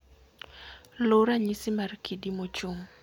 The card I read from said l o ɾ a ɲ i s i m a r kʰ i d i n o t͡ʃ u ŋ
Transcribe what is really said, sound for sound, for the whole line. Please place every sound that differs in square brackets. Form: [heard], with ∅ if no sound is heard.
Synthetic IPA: l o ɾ a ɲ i s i m a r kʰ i d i [m] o t͡ʃ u ŋ